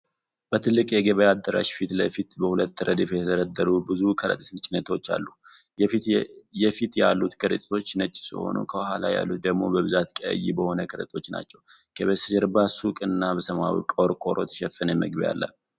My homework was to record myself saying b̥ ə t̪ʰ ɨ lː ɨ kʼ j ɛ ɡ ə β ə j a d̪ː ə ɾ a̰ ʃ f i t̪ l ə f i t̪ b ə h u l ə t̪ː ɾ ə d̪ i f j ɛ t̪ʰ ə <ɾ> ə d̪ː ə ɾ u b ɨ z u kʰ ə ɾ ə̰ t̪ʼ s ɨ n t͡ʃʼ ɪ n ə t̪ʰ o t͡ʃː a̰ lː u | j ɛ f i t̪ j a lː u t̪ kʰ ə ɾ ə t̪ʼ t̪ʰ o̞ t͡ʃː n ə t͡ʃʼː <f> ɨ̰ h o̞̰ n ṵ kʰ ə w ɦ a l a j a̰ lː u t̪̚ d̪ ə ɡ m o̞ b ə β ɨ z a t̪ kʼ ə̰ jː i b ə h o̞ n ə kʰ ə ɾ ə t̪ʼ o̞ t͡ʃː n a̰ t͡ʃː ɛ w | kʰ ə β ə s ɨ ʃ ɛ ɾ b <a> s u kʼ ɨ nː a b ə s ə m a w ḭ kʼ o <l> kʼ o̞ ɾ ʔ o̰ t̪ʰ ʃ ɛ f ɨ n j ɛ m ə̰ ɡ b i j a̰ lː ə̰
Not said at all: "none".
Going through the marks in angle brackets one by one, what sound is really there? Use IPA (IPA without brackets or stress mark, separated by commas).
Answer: ɾ, s, a, ɾ